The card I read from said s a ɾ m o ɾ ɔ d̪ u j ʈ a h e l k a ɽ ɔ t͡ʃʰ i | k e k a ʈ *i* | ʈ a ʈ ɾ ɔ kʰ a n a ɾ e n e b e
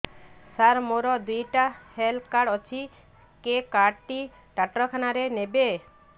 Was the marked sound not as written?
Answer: no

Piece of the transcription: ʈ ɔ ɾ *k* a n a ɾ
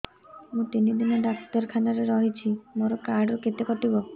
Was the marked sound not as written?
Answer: yes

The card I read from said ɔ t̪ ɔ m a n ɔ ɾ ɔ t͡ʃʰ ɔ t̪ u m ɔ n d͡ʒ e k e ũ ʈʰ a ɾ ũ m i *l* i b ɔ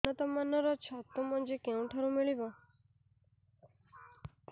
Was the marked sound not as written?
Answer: yes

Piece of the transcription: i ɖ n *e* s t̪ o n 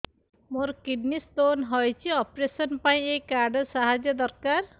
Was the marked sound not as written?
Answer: yes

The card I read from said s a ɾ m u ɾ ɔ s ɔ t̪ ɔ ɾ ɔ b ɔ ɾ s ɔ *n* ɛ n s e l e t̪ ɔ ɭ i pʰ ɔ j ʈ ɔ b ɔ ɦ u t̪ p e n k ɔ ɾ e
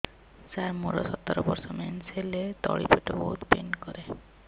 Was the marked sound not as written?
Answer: yes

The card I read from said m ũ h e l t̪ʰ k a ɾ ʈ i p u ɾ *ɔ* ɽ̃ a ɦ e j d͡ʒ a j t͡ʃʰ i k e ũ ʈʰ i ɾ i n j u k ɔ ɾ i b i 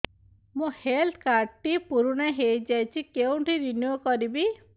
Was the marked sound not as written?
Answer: yes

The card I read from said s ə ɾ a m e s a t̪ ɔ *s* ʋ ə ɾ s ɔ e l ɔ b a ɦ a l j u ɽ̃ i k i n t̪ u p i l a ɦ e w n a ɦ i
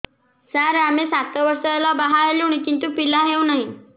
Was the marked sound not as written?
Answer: yes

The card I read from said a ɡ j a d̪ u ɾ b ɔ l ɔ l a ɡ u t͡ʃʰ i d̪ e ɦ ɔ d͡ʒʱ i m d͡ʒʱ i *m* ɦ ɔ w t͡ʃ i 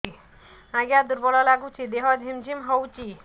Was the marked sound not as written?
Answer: no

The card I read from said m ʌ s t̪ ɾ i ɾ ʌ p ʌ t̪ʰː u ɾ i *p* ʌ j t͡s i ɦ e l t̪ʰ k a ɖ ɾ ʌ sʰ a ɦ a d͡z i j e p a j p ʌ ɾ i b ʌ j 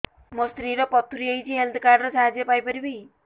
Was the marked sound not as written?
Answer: yes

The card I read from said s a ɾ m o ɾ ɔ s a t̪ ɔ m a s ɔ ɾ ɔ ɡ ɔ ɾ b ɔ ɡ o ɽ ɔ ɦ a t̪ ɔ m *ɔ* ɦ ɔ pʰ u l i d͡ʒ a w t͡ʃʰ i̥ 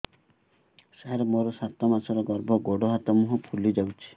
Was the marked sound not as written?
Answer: yes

